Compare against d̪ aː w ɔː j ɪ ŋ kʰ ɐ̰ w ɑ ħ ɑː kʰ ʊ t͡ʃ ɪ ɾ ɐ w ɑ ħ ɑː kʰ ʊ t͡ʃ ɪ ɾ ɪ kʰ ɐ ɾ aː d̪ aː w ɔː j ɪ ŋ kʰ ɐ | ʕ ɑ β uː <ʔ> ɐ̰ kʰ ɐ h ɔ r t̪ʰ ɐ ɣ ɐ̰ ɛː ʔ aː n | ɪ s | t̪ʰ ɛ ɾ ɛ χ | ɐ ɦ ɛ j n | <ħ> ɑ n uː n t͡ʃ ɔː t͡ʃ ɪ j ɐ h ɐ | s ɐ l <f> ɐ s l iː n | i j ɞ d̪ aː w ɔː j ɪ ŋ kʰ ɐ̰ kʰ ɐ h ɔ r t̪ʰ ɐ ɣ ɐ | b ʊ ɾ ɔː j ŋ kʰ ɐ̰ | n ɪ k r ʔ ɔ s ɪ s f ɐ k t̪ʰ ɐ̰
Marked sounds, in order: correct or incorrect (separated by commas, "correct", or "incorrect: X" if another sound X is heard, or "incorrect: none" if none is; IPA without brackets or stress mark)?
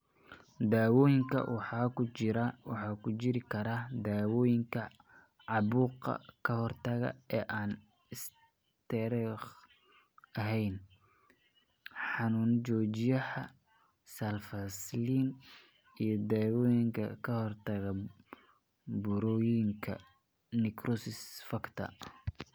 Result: incorrect: q, correct, correct